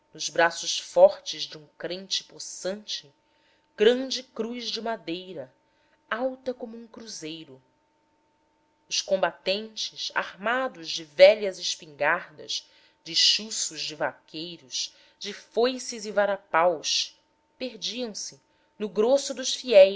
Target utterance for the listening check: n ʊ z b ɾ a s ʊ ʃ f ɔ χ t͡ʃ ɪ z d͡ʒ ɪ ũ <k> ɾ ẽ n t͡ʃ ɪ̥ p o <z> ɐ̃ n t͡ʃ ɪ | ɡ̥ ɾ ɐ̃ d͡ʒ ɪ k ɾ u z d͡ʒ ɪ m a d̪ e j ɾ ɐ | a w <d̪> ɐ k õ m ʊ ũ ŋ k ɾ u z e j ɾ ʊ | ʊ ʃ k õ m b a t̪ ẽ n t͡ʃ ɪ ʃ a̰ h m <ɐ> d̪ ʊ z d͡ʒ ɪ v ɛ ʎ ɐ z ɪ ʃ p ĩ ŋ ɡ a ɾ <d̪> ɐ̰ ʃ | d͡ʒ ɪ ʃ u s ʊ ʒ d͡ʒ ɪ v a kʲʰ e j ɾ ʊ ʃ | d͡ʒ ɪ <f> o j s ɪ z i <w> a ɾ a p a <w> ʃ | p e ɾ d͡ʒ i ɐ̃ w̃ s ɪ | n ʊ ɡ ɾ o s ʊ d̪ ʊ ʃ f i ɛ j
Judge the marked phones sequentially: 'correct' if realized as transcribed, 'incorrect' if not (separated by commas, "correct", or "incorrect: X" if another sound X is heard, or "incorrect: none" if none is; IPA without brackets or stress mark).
correct, incorrect: s, incorrect: t̪, incorrect: a, correct, correct, incorrect: v, correct